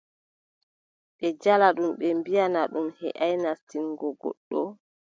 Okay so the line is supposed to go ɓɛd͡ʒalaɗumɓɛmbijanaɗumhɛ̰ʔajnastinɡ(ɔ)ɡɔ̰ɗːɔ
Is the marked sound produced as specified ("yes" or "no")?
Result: yes